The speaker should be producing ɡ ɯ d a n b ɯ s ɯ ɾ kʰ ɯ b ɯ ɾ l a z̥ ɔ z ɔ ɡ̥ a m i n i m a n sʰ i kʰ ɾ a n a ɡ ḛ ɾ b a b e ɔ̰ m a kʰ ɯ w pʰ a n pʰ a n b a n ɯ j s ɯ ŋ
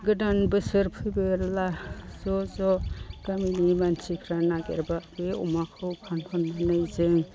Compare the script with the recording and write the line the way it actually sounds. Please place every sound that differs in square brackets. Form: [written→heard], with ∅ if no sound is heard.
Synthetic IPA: ɡ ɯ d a n b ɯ s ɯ ɾ [kʰ→pʰ] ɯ b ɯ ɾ l a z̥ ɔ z ɔ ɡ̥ a m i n i m a n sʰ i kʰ ɾ a n a ɡ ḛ ɾ b a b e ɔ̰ m a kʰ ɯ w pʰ a n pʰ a n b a n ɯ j [s→z] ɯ ŋ